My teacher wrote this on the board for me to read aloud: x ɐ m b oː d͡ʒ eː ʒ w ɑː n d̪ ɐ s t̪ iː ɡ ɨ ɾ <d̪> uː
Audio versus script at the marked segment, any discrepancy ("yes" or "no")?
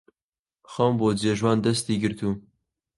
yes